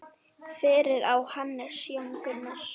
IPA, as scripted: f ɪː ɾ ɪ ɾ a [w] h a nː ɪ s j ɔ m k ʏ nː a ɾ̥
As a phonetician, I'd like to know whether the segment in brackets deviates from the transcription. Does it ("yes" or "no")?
no